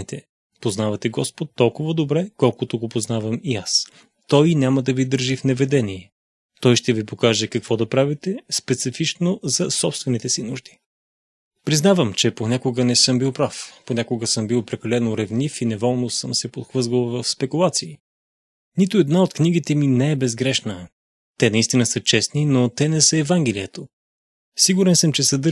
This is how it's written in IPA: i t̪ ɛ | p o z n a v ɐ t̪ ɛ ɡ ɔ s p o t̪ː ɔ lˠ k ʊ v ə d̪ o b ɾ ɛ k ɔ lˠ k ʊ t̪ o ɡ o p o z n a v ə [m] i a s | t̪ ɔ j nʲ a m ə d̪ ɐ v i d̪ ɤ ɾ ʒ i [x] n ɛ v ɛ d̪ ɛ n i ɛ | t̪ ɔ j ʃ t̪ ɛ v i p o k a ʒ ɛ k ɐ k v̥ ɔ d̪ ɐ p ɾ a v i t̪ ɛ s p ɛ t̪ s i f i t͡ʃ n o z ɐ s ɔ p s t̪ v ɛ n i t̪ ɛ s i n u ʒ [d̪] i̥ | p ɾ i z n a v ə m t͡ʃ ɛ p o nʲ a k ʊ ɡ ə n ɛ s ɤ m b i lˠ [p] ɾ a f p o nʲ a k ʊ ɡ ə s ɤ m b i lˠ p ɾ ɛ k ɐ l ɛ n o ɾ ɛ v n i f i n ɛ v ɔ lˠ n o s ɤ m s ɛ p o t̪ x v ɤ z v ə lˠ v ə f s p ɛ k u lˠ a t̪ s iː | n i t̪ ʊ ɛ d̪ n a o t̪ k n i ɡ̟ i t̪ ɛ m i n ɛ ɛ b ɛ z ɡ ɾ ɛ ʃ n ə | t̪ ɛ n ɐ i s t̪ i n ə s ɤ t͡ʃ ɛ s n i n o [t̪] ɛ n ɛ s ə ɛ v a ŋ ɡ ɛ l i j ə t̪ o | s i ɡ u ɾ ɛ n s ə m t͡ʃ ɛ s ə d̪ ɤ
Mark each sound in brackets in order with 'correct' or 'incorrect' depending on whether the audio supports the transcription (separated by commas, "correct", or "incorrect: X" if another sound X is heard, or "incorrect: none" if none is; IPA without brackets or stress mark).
correct, incorrect: f, correct, correct, correct